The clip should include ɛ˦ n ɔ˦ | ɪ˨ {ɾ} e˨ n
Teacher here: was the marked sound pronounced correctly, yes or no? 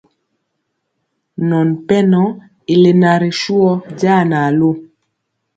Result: no